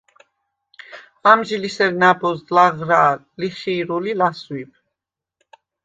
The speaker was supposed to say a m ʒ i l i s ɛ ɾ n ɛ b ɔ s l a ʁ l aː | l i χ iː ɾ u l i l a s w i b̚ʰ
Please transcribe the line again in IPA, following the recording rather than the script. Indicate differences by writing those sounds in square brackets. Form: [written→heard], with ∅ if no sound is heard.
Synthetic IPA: a m ʒ i l i s ɛ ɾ n [ɛ→a] b ɔ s l a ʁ [l→ɾ] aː | l i χ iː ɾ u l i l a s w i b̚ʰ